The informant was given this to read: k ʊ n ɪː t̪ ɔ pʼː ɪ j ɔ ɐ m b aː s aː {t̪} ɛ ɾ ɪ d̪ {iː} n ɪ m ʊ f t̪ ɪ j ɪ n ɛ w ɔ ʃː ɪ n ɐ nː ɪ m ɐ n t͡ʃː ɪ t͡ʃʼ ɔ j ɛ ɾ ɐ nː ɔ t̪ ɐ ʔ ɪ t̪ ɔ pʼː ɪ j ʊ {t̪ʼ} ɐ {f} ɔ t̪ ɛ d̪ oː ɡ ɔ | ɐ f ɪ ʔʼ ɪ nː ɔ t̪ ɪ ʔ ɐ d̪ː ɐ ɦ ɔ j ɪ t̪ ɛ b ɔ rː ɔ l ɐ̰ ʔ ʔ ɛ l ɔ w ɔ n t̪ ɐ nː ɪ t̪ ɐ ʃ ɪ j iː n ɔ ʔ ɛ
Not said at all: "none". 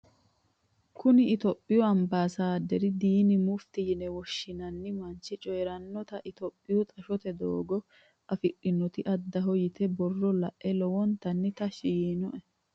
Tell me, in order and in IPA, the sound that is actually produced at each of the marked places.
d̪, iː, t̪ʼ, ʃ

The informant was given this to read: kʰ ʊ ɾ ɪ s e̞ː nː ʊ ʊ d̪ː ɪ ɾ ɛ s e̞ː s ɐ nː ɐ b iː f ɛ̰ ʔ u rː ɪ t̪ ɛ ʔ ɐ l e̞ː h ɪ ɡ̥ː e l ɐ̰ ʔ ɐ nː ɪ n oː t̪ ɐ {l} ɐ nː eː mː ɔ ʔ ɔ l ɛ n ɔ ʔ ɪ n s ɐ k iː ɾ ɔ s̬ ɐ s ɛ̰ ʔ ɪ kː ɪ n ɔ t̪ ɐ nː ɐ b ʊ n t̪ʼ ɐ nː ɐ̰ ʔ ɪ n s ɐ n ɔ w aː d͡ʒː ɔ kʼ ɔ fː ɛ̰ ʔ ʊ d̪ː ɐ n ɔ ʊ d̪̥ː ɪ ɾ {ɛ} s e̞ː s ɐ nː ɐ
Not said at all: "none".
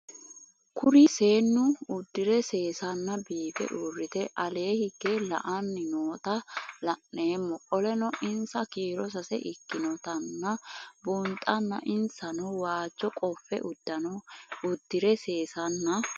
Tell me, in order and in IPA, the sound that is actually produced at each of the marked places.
l, ɛ

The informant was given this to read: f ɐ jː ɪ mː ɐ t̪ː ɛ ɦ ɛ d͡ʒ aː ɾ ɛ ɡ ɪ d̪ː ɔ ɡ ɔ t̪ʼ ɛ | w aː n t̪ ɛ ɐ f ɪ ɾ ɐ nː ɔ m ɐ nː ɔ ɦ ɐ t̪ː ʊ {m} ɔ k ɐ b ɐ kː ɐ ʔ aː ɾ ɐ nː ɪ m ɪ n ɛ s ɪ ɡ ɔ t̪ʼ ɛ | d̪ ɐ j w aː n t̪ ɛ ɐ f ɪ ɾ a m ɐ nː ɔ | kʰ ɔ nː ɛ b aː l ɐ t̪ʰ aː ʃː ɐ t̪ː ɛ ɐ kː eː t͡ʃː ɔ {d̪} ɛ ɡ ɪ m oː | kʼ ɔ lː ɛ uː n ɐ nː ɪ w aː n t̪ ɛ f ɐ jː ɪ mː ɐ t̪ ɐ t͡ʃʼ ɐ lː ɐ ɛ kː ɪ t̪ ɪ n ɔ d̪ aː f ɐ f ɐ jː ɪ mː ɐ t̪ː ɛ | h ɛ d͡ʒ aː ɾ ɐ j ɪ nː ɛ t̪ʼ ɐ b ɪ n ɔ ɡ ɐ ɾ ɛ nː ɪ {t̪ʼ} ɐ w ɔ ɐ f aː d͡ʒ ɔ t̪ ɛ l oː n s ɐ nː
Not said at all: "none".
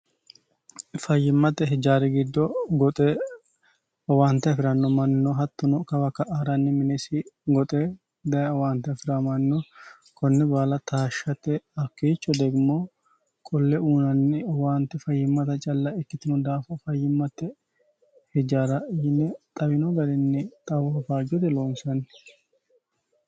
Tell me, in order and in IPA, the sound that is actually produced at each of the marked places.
n, d̪, t̪ʼ

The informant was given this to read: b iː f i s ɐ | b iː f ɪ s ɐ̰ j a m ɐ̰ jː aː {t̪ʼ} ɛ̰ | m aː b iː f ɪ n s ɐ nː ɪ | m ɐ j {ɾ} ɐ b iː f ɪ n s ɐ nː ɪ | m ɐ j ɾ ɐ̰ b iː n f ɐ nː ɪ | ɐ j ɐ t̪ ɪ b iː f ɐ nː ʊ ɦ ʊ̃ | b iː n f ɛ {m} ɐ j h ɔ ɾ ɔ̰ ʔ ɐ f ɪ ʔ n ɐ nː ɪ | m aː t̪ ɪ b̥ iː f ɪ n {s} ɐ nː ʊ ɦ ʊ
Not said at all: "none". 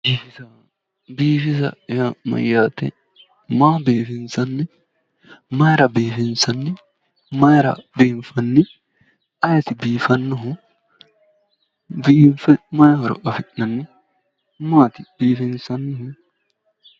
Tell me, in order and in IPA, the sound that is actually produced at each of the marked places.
t̪, ɾ, m, s

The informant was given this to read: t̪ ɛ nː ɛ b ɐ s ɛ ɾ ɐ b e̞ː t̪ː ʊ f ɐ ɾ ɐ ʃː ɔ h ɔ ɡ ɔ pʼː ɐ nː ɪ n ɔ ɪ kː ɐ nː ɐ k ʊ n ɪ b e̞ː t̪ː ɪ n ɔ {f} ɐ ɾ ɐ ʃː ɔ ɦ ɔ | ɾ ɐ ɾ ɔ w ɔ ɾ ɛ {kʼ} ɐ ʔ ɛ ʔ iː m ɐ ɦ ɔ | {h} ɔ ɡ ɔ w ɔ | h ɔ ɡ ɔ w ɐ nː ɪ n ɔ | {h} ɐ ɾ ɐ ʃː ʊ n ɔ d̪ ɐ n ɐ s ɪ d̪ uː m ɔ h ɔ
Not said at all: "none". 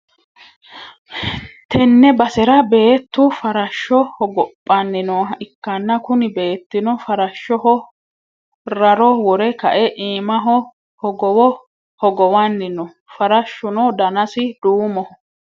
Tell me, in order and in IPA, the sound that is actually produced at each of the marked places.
f, k, h, f

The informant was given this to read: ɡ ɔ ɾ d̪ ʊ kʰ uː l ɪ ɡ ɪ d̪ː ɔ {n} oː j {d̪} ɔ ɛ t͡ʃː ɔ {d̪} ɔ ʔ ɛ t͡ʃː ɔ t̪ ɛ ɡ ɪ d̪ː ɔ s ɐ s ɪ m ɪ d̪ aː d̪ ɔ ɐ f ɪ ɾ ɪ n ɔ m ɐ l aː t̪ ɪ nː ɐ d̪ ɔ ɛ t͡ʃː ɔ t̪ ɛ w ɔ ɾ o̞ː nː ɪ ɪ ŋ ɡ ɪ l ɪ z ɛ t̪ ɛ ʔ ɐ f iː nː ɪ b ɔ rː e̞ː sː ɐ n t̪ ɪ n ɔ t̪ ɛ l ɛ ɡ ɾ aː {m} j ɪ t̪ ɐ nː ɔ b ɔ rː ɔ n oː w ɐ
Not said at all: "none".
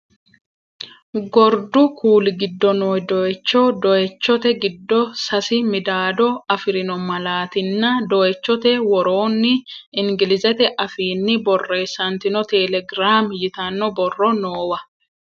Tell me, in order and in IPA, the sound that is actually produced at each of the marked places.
n, d̪, d̪, m

